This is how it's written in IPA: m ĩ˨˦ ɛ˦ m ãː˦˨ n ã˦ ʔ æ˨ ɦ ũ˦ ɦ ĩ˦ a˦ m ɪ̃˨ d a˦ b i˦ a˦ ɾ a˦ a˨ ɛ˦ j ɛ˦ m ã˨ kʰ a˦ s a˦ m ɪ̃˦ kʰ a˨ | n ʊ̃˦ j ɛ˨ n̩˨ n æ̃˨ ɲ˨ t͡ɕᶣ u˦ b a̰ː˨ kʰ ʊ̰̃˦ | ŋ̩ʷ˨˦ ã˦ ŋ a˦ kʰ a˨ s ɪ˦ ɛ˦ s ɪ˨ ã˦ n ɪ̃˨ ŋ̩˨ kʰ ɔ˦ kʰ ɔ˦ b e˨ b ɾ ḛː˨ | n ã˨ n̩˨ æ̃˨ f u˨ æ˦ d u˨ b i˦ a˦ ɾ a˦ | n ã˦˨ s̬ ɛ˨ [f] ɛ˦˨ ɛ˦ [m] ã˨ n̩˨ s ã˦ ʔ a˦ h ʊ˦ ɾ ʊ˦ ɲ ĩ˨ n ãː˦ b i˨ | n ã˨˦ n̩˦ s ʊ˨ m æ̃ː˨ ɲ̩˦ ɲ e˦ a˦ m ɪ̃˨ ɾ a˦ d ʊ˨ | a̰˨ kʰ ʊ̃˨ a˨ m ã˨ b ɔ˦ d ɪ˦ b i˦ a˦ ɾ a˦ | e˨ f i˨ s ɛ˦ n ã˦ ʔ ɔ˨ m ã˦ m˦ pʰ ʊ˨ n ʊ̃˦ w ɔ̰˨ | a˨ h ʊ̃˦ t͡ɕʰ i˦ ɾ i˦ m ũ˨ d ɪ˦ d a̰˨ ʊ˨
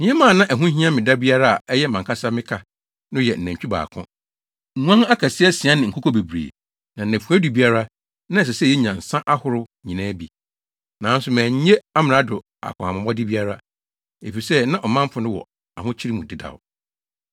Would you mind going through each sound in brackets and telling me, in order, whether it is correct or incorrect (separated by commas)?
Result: incorrect, incorrect